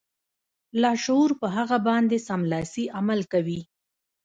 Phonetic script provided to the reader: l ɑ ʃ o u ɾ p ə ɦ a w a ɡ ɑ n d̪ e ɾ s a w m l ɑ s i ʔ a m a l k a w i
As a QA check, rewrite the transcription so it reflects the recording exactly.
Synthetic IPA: l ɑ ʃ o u ɾ p ə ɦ a ɣ a b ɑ n d̪ e s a m l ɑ s i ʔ a m a l k a w i